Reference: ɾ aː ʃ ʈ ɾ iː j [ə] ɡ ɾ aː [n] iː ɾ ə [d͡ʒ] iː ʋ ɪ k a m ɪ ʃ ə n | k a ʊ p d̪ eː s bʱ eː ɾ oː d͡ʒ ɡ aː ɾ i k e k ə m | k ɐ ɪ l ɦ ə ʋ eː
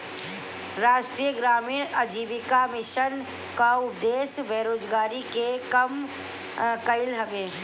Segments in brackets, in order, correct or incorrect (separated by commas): correct, incorrect, correct